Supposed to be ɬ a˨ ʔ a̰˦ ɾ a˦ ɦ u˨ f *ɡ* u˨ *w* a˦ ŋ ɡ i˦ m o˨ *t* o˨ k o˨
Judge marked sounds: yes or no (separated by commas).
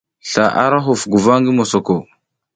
yes, no, no